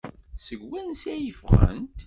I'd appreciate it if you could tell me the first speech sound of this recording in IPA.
s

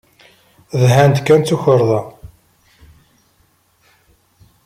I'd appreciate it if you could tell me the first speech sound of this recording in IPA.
ð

